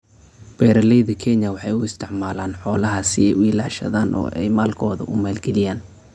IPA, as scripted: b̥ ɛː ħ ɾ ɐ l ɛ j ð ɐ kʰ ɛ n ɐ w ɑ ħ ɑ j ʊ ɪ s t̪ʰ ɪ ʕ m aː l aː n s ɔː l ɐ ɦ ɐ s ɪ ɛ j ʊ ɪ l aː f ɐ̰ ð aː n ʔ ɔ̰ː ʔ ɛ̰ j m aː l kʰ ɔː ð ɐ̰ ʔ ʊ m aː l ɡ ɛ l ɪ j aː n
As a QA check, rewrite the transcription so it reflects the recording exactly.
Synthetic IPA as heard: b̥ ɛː ɾ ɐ l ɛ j ð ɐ kʰ ɛ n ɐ w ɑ ħ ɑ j ʊ ɪ s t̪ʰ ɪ ʕ m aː l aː n ħ ɔː l ɐ ɦ ɐ s ɪ ɛ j ʊ ɪ l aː ʃ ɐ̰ ð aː n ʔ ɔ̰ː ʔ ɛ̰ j m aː l kʰ ɔː ð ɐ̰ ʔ ʊ m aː l ɡ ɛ l ɪ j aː n